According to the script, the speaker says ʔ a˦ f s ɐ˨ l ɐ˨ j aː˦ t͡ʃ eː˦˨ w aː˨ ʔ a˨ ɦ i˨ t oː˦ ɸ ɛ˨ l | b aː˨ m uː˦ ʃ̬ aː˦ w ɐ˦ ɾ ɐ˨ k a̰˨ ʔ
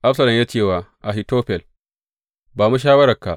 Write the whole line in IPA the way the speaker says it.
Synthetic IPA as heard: ʔ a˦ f s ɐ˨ l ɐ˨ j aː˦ t͡ʃ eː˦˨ w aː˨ ʔ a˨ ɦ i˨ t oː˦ ɸ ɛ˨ l | b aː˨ m u˦ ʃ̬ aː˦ w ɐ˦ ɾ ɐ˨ k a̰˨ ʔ